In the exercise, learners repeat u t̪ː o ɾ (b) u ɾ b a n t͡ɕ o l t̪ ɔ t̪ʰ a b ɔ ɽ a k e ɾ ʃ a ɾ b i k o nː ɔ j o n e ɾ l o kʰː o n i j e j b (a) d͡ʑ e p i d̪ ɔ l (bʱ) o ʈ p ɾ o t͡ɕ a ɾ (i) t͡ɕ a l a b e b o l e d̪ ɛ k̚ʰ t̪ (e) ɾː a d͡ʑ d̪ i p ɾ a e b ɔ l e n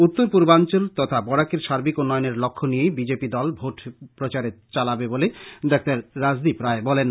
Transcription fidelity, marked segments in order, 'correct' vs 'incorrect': incorrect: p, incorrect: i, correct, incorrect: e, incorrect: a

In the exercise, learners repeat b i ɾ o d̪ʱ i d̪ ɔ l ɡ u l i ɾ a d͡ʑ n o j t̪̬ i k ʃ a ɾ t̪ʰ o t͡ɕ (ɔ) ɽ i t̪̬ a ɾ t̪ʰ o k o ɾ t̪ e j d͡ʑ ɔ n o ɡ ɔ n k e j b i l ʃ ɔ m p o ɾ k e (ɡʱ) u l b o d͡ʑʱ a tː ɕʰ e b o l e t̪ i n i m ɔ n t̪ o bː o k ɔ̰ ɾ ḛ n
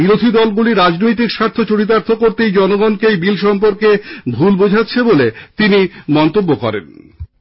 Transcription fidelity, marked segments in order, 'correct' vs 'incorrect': incorrect: o, incorrect: bʱ

